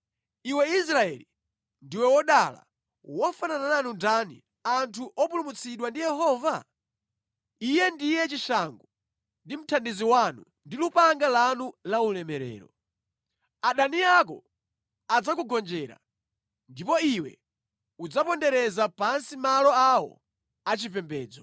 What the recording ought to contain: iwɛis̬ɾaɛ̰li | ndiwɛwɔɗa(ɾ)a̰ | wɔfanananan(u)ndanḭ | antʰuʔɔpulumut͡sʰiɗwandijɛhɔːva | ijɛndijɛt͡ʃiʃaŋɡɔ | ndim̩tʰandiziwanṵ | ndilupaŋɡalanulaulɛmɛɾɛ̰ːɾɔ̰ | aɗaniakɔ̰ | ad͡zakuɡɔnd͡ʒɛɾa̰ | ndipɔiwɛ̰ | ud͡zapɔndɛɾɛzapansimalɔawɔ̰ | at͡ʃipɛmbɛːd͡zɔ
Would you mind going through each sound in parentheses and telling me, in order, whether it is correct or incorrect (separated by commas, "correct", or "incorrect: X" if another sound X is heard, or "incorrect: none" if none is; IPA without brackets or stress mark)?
incorrect: l, correct